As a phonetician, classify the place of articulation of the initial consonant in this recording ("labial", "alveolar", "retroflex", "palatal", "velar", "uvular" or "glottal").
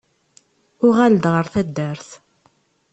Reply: uvular